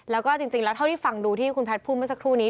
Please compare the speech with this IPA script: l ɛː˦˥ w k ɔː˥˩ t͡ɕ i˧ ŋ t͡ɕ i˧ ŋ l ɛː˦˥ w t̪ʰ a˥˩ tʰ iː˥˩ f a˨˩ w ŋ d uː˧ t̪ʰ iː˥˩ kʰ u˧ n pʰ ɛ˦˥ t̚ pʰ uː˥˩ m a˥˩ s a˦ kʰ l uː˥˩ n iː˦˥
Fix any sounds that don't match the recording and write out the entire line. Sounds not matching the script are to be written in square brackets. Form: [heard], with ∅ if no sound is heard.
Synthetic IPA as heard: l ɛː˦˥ w k ɔː˥˩ t͡ɕ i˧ ŋ t͡ɕ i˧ ŋ l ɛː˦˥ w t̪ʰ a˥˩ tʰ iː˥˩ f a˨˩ [∅] ŋ d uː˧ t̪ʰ iː˥˩ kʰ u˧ n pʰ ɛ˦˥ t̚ pʰ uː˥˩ m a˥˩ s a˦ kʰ [ɾ] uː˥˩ n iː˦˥

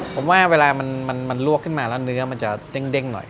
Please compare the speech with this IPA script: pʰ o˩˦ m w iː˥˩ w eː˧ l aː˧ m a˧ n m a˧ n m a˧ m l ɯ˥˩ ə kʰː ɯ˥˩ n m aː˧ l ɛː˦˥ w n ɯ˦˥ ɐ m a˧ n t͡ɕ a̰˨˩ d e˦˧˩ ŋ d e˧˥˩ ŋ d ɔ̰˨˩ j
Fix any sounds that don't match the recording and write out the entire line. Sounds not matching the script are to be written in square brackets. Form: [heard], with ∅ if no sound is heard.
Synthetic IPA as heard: pʰ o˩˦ m w [aː˥˩] w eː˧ l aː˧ m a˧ n m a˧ n m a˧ [n] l [u˥˩] ə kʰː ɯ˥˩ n m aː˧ l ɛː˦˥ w n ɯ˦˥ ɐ m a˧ n t͡ɕ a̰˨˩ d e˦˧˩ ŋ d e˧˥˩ ŋ [n] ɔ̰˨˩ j

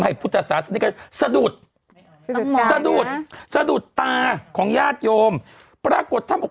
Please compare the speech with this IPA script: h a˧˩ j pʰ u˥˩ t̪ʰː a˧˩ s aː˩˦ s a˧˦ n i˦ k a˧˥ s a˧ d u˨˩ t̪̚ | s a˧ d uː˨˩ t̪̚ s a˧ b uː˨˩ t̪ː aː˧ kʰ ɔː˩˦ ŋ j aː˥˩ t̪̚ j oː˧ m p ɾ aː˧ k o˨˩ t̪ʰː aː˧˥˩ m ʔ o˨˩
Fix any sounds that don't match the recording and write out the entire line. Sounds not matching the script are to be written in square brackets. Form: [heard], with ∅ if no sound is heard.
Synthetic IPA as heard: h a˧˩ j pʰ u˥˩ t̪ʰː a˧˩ s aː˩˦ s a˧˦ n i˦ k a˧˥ s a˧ d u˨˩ t̪̚ | s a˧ d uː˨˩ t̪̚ s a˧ [d] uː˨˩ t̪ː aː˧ kʰ ɔː˩˦ ŋ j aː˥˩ t̪̚ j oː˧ m p ɾ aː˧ k o˨˩ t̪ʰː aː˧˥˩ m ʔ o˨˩

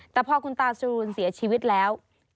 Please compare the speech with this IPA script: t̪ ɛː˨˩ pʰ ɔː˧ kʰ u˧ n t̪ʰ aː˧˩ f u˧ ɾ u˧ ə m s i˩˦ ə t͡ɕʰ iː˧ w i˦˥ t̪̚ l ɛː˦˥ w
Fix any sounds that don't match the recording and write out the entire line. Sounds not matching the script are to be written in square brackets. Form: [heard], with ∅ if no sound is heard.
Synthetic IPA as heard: t̪ ɛː˨˩ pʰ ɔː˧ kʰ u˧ n [t̪] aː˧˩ [s] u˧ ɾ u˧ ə [n] s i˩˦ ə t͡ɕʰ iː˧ w i˦˥ t̪̚ l ɛː˦˥ w

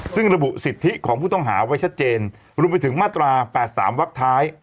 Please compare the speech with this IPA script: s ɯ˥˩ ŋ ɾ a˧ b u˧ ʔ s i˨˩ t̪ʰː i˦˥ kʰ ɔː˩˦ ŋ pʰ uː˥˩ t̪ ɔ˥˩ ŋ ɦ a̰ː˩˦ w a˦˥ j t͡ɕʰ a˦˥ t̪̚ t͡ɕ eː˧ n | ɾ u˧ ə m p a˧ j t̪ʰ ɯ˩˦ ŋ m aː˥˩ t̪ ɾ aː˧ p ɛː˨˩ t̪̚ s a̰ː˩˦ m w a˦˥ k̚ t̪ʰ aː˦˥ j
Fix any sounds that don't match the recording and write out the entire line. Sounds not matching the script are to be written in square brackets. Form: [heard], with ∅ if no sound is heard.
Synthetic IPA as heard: s ɯ˥˩ ŋ ɾ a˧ b [u˨˩] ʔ s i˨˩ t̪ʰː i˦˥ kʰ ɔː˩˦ ŋ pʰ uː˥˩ t̪ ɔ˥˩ ŋ ɦ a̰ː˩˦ w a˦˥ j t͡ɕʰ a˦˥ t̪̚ t͡ɕ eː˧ n | ɾ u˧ ə m p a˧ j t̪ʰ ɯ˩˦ ŋ m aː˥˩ t̪ ɾ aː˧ p ɛː˨˩ t̪̚ s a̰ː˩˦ m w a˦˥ k̚ t̪ʰ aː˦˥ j

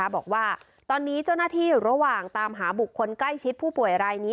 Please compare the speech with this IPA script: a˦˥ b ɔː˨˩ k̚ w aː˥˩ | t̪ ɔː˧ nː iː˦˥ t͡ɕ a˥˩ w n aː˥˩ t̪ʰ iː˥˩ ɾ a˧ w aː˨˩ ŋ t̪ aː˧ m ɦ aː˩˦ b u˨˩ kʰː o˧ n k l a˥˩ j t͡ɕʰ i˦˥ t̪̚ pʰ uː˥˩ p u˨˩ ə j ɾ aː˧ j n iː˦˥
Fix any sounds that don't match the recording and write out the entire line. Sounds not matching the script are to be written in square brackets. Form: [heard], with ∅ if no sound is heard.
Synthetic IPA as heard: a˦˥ b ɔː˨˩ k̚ w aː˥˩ | t̪ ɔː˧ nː iː˦˥ t͡ɕ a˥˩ w n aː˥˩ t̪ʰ iː˥˩ ɾ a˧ w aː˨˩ ŋ t̪ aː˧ m ɦ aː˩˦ b u˨˩ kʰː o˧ n k l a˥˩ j t͡ɕʰ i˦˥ t̪̚ pʰ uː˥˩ p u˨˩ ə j ɾ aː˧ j n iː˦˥

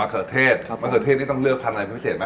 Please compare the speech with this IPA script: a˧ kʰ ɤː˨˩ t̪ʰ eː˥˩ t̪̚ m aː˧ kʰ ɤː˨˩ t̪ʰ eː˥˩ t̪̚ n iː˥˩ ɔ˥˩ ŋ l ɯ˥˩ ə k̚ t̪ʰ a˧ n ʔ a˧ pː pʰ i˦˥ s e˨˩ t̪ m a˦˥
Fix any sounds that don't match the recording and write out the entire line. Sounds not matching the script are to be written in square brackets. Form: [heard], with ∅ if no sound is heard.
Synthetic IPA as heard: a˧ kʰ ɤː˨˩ t̪ʰ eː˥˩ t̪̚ m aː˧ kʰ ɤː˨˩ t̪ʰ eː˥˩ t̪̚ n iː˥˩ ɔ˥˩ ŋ l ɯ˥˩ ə k̚ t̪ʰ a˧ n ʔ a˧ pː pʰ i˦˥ s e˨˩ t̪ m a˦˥

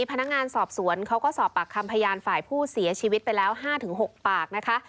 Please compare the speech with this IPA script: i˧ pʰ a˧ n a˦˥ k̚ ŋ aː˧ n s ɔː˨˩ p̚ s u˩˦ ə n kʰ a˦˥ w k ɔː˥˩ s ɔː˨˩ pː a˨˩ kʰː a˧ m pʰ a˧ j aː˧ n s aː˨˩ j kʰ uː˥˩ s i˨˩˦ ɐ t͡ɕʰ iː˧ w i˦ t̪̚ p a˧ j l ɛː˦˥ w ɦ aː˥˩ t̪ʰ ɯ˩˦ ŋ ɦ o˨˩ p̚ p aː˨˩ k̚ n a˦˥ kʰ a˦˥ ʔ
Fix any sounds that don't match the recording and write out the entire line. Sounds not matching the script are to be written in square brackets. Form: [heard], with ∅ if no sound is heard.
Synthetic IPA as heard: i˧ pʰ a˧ n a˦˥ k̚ ŋ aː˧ n s ɔː˨˩ p̚ s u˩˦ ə n kʰ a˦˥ w k ɔː˥˩ s ɔː˨˩ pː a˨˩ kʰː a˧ m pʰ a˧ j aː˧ n [f] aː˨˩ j [pʰ] uː˥˩ s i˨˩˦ ɐ t͡ɕʰ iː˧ w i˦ t̪̚ p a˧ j l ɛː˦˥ w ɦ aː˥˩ t̪ʰ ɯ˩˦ ŋ ɦ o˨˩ [k̚] p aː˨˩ k̚ n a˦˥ kʰ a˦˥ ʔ

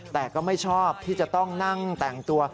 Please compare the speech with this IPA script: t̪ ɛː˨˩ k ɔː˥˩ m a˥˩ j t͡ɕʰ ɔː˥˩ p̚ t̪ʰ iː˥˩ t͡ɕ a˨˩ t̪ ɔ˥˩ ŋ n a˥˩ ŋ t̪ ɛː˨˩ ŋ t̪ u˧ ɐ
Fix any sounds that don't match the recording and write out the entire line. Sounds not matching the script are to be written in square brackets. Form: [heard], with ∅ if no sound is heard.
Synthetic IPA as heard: t̪ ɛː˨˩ k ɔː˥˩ m a˥˩ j t͡ɕʰ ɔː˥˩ p̚ t̪ʰ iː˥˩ t͡ɕ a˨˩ t̪ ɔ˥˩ ŋ n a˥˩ ŋ t̪ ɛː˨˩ ŋ t̪ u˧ ɐ

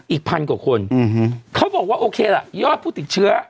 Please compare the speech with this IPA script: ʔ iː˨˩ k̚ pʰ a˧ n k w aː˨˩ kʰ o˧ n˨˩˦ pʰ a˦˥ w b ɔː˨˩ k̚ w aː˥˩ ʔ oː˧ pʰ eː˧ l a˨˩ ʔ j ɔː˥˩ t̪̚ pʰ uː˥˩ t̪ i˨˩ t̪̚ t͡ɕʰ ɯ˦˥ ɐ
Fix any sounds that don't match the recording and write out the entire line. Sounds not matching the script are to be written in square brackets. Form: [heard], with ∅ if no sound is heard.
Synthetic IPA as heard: ʔ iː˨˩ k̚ pʰ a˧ n k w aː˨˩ kʰ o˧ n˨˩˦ [kʰ] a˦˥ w b ɔː˨˩ k̚ w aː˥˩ ʔ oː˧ [kʰ] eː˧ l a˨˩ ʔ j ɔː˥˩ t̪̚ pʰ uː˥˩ t̪ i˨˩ t̪̚ t͡ɕʰ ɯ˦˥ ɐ

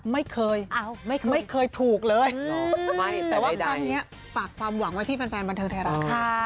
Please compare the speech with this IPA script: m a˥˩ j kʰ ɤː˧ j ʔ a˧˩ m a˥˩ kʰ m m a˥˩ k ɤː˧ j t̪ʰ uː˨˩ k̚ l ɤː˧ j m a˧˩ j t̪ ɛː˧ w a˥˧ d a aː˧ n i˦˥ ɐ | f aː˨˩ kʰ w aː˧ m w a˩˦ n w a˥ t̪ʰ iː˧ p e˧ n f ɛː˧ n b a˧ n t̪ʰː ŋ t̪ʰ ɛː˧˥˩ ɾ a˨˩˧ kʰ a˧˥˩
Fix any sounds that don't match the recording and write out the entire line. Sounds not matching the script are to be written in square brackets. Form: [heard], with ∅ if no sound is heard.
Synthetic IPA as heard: m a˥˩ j kʰ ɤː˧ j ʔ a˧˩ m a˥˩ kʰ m m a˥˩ [kʰ] ɤː˧ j t̪ʰ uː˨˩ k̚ l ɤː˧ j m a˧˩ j t̪ [ɛː˨˩] w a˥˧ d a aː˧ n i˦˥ ɐ | f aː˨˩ kʰ w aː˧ m w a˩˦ [ŋ] w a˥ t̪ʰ [iː˥˩] p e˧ n f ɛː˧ n b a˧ n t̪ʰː ŋ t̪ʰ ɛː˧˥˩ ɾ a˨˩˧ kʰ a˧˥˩

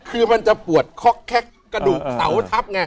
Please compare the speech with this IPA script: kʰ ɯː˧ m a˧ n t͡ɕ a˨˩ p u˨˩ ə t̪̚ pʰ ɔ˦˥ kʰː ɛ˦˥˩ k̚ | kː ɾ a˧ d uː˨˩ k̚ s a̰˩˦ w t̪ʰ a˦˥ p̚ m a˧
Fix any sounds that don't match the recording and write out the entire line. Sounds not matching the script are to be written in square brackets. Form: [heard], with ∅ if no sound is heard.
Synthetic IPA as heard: kʰ ɯː˧ m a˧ n t͡ɕ a˨˩ p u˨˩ ə t̪̚ [kʰ] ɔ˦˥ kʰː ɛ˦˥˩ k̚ | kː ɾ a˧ d uː˨˩ k̚ s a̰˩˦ w t̪ʰ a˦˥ p̚ [ŋ] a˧

